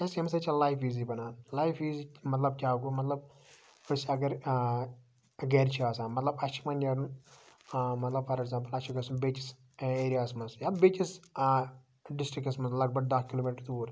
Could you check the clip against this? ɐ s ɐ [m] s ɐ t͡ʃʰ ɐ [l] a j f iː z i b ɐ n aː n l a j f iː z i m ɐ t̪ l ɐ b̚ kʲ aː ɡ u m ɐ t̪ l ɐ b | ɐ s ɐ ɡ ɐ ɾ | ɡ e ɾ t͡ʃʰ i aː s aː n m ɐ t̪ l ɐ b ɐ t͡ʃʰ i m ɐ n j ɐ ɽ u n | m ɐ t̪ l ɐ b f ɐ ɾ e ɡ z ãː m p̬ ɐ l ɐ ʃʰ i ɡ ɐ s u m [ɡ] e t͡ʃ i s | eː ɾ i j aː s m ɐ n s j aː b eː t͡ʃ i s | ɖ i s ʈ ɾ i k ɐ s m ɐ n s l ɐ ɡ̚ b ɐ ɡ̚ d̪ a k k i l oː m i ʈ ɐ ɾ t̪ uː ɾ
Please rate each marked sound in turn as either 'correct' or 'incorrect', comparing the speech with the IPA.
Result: correct, correct, incorrect

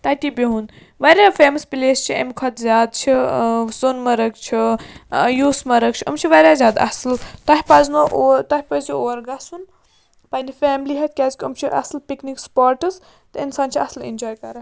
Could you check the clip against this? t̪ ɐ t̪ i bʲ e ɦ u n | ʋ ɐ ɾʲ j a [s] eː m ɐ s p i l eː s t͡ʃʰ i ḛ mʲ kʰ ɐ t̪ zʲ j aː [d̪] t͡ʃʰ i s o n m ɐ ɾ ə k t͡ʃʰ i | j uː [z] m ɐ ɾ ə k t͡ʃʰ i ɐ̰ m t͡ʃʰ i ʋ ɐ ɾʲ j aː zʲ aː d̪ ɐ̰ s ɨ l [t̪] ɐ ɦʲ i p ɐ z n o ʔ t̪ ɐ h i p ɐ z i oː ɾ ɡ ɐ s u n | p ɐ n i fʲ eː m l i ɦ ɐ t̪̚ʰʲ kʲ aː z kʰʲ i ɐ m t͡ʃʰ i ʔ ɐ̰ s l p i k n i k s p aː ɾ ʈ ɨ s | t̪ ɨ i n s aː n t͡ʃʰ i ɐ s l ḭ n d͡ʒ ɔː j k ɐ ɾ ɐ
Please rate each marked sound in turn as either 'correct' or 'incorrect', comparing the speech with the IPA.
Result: incorrect, correct, incorrect, correct

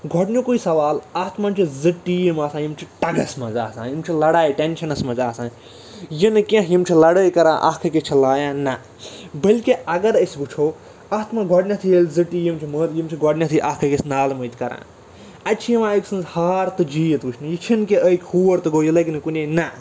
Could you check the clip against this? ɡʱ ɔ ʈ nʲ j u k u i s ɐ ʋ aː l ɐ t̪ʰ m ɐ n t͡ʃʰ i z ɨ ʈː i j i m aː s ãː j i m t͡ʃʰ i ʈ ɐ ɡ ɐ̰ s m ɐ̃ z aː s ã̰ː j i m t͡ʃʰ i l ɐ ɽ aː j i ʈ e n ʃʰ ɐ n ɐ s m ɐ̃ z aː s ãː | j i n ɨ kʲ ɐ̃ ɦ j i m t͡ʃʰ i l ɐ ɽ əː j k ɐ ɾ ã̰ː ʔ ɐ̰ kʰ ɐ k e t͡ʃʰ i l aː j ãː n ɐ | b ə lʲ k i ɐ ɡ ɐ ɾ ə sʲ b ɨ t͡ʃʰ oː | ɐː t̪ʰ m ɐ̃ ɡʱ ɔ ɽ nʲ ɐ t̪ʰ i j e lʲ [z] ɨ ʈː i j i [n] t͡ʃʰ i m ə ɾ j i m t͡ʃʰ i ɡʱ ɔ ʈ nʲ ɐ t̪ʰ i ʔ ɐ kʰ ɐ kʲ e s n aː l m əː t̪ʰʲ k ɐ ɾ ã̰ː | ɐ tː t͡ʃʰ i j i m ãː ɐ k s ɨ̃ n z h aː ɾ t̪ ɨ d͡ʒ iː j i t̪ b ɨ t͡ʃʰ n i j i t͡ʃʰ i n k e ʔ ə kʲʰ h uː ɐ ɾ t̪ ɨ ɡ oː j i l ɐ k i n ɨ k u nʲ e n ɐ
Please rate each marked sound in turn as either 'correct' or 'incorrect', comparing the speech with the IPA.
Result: correct, incorrect

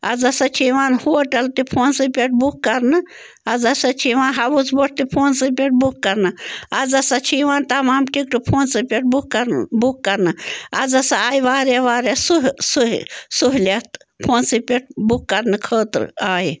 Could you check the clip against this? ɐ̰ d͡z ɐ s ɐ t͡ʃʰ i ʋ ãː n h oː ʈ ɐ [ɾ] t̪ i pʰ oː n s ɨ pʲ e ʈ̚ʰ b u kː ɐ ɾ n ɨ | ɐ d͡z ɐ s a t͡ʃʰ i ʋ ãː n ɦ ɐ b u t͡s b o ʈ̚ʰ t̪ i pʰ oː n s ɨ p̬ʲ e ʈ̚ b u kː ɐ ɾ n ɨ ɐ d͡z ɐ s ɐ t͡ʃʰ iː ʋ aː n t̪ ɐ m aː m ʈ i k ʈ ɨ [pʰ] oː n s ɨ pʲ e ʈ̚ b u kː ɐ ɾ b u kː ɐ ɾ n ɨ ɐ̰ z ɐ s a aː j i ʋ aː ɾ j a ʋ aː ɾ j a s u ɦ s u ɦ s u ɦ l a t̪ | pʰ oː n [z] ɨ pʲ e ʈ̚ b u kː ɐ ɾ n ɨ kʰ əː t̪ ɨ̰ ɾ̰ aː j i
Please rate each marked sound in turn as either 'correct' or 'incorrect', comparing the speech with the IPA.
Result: incorrect, correct, incorrect

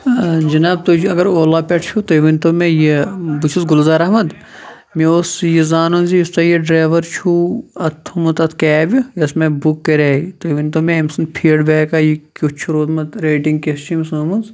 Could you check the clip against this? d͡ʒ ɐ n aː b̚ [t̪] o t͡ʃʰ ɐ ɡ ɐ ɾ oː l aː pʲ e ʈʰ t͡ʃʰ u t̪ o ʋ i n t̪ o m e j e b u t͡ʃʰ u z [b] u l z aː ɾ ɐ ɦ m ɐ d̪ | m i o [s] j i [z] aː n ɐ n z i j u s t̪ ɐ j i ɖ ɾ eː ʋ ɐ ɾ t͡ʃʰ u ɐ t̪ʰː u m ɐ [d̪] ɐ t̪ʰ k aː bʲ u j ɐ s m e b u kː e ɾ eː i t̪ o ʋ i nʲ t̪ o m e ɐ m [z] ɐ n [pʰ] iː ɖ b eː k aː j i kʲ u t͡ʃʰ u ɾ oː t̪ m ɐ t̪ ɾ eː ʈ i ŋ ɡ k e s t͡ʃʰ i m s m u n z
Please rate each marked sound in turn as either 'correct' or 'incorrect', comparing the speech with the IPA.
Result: correct, incorrect, correct, correct, incorrect, incorrect, correct

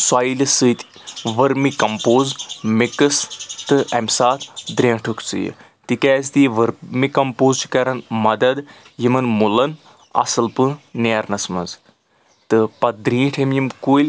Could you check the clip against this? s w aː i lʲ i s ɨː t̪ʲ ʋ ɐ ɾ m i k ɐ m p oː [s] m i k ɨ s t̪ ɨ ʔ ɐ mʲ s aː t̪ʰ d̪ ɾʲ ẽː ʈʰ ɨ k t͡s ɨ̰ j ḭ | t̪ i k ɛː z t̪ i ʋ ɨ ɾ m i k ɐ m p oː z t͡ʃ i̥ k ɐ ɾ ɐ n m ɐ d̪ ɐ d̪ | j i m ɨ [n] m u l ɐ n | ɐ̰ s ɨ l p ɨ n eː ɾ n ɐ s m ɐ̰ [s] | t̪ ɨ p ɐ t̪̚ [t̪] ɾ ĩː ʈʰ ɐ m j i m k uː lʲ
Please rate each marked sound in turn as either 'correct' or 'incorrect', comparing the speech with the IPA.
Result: incorrect, correct, incorrect, incorrect

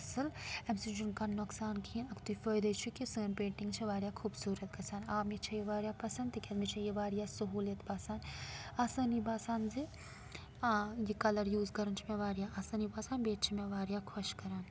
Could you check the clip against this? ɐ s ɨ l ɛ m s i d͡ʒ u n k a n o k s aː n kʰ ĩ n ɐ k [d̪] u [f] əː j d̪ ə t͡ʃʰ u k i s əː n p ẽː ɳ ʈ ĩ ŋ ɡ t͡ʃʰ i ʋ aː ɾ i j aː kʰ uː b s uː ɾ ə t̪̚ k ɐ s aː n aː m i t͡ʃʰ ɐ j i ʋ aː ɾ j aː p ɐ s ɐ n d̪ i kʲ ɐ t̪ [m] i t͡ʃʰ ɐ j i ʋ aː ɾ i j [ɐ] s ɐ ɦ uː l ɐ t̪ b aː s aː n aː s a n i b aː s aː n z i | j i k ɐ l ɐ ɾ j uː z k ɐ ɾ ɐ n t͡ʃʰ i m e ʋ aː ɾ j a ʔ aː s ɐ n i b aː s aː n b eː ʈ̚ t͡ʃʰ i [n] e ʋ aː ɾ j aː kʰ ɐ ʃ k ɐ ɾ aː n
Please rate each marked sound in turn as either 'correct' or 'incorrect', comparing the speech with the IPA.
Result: incorrect, correct, correct, incorrect, incorrect

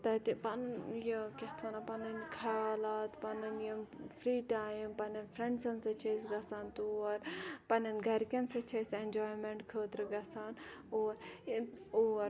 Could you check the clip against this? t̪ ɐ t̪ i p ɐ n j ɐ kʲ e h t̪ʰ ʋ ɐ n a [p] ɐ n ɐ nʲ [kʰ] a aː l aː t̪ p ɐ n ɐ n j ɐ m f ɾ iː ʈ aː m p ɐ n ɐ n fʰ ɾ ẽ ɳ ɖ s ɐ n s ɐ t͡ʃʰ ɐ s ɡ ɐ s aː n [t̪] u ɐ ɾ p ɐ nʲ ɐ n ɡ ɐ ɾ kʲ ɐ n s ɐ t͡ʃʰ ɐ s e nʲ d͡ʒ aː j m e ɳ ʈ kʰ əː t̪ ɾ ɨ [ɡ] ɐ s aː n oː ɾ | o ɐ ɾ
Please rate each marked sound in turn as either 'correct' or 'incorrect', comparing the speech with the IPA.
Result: correct, correct, correct, correct

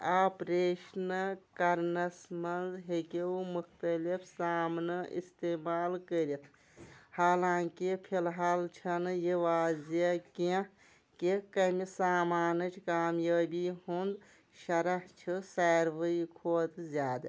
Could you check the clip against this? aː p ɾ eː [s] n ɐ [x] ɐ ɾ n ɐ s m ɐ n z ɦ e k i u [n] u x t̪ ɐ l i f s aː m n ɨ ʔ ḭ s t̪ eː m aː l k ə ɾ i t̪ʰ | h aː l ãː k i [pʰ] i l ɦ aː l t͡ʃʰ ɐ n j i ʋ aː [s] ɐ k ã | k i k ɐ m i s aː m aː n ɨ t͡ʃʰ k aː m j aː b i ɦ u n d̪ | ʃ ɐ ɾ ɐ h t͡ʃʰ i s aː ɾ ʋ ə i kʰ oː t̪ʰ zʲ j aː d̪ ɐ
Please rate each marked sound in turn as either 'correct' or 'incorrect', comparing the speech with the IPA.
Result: incorrect, incorrect, incorrect, correct, incorrect

